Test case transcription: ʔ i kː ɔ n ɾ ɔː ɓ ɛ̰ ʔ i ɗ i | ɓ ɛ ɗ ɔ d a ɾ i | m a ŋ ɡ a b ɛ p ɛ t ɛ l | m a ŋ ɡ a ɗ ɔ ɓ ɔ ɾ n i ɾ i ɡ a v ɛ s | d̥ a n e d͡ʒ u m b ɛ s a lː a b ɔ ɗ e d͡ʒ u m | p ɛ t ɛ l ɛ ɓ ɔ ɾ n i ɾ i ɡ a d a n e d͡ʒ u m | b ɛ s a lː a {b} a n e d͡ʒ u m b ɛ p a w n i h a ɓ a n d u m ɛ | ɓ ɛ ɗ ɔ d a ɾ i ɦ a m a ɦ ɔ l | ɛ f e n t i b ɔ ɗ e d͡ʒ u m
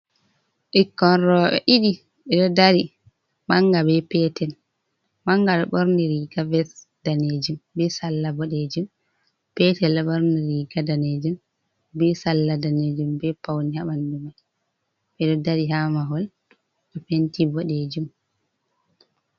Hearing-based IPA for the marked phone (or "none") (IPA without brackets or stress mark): d